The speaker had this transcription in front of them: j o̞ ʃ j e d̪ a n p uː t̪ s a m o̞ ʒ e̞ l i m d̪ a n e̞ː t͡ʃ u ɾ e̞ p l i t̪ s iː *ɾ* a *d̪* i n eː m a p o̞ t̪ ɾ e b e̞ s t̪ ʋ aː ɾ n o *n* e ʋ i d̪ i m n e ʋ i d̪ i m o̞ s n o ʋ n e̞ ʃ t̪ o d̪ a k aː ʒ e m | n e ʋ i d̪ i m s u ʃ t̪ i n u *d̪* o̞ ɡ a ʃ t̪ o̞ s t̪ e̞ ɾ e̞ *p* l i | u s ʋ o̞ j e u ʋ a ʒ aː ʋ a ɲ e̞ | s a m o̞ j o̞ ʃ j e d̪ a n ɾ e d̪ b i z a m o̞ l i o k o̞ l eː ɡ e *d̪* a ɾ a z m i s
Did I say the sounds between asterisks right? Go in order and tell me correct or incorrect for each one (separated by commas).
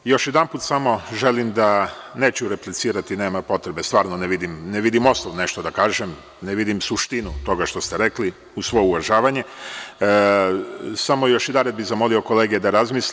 correct, incorrect, correct, incorrect, incorrect, correct